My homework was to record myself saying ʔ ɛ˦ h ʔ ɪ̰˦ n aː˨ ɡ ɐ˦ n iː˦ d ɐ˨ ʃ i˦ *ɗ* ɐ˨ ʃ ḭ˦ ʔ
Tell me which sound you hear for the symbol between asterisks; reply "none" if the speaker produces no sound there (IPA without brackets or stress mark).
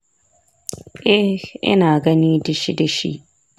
d